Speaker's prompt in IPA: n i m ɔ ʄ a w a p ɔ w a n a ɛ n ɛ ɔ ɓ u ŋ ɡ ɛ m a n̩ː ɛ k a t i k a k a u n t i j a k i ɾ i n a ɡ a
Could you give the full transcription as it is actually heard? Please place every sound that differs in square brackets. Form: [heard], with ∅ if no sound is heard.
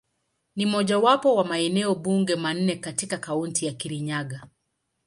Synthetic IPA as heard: n i m ɔ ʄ a w a p ɔ w a [m] a ɛ n ɛ ɔ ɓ u ŋ ɡ ɛ m a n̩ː ɛ k a t i k a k a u n t i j a k i ɾ i [ɲ] a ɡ a